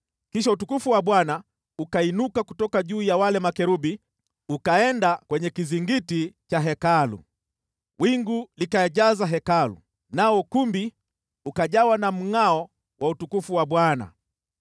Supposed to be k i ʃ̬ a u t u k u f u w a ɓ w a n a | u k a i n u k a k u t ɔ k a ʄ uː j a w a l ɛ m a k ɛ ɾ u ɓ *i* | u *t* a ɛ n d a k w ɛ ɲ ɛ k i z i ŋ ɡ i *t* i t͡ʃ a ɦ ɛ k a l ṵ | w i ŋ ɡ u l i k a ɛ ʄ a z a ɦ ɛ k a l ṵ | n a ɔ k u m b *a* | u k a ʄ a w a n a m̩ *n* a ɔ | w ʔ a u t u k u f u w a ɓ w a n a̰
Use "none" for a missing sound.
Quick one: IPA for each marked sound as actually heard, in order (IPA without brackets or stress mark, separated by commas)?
i, k, t, i, ŋ